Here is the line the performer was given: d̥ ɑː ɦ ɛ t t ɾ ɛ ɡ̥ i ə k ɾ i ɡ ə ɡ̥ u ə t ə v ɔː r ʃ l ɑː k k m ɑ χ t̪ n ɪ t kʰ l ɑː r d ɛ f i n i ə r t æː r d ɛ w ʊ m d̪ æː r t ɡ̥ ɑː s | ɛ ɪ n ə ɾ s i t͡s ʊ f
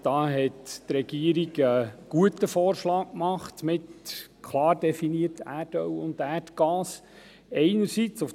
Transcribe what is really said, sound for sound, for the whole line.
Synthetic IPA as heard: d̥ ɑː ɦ ɛ t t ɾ ɛ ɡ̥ i ə ɾ i ɡ ə ɡ̥ u ə t ə f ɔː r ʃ l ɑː k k m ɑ χ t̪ m ɪ t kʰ l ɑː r d ɛ f i n i ə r t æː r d œ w ʊ n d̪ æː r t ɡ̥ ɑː s | ɛ ɪ n ə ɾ s i t͡s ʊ f